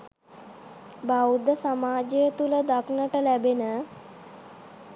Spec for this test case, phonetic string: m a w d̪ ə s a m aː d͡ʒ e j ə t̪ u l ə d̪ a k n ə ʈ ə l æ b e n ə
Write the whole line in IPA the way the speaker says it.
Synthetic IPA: b a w d̪ ə s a m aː d͡ʒ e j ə t̪ u l ə d̪ a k n ə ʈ ə l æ b e n ə